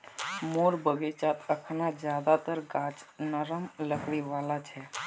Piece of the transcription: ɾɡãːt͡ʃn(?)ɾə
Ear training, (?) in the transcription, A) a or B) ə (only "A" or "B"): B